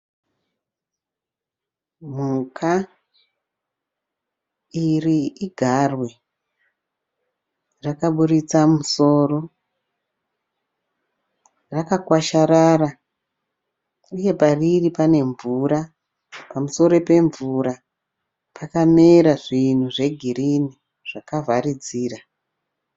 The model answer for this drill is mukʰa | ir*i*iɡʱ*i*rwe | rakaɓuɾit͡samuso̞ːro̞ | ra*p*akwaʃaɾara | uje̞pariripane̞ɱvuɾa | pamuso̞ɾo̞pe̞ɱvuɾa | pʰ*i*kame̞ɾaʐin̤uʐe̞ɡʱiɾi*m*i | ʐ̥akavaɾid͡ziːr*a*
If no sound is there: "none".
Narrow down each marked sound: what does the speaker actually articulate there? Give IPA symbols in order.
i, a, k, a, n, a

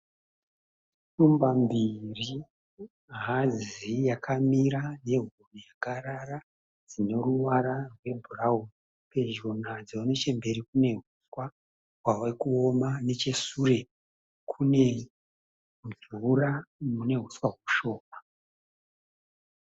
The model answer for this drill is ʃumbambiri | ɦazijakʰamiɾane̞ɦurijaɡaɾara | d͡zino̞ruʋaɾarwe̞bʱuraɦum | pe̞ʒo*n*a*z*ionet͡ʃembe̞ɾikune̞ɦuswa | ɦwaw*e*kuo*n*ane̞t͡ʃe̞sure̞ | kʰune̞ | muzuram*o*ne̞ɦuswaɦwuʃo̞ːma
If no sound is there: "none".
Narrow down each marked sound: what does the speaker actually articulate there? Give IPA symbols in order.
n, d͡z, e, m, u

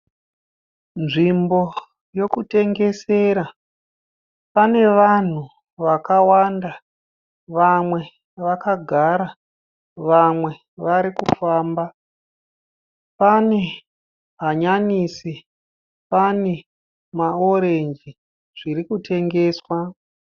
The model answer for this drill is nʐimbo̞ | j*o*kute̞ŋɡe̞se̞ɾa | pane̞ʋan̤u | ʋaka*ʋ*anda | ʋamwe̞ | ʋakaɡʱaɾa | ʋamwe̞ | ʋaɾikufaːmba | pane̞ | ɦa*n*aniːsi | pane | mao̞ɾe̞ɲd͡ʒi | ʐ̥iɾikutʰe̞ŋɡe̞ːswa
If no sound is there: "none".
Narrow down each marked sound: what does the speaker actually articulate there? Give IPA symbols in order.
o, w, ɲ

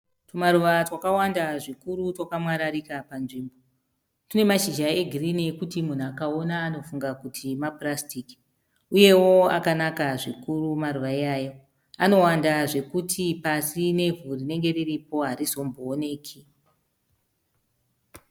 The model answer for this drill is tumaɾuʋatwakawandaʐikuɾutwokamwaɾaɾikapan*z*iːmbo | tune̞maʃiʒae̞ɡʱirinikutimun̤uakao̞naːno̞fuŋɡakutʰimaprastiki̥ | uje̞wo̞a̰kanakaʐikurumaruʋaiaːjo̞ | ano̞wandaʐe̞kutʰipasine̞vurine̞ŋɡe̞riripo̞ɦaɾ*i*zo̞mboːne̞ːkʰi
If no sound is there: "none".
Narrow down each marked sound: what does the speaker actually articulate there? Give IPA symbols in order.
ʐ, i

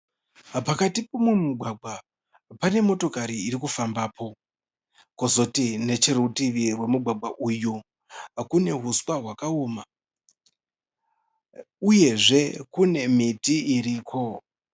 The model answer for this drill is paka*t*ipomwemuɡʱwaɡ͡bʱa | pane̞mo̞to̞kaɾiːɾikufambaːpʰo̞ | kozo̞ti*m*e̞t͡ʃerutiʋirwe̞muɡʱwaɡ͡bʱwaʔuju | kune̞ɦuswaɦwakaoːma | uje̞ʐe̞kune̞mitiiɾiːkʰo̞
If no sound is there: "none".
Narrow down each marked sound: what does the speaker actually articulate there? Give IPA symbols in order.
t, n

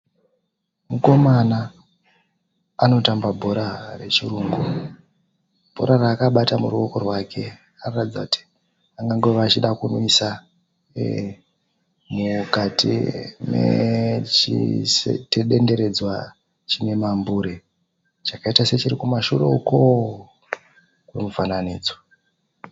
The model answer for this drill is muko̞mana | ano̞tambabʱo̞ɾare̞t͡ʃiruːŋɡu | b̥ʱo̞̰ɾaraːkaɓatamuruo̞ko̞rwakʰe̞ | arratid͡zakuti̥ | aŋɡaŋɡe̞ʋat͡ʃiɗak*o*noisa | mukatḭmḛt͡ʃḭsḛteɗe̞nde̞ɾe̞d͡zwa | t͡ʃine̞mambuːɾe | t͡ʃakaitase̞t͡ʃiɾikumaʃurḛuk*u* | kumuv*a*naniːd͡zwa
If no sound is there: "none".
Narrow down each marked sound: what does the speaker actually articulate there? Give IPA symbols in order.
u, o, a

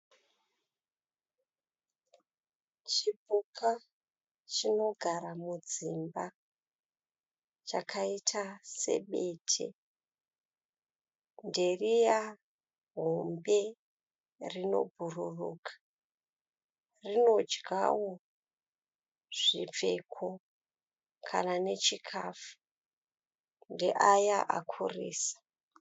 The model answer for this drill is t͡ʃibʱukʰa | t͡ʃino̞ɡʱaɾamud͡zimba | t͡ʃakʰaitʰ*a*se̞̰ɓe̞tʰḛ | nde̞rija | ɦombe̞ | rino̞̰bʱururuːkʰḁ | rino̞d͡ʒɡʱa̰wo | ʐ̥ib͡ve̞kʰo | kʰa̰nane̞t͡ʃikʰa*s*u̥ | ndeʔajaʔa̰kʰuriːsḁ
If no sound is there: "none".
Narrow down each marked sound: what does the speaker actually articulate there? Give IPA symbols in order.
a, f

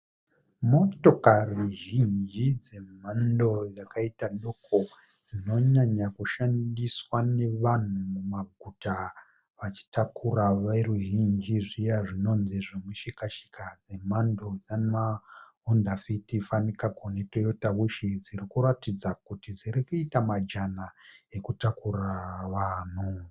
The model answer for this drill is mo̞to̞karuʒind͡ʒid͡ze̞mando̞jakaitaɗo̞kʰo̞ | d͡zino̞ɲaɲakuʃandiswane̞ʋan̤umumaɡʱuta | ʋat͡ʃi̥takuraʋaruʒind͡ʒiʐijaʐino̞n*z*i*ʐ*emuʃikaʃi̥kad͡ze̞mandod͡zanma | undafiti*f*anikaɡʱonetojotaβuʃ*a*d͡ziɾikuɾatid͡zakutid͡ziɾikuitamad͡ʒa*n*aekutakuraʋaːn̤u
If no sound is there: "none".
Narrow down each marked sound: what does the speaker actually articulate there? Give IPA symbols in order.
z, ʐ, f, i, n

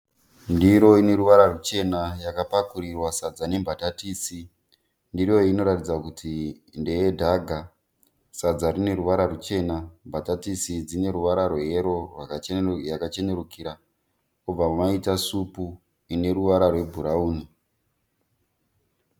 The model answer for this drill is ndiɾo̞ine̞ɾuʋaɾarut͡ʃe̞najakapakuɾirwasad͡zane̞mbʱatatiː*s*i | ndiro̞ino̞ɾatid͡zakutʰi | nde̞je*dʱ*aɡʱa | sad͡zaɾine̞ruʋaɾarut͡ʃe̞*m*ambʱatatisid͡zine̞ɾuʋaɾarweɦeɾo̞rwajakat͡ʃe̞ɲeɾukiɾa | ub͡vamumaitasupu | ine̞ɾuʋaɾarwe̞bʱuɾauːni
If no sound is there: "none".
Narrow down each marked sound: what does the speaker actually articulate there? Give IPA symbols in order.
s, dʱ, n

